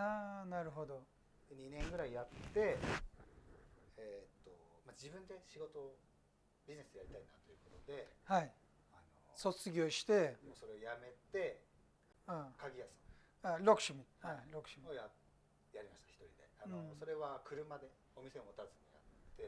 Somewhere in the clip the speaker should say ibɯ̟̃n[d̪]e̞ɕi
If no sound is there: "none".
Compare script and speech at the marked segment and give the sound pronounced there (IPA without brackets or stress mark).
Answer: d̪